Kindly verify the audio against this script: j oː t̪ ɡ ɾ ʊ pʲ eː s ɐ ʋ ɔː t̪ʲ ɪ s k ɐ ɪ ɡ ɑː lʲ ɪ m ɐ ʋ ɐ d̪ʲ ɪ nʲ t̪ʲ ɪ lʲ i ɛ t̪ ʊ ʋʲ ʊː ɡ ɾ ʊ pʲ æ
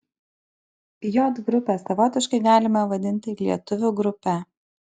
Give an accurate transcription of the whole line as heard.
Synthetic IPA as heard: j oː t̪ ɡ ɾ ʊ pʲ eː s ɐ ʋ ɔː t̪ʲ ɪ ʃ k ɐ ɪ ɡ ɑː lʲ ɪ m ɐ ʋ ɐ d̪ʲ ɪ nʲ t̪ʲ ɪ lʲ i ɛ t̪ ʊ ʋʲ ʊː ɡ ɾ ʊ pʲ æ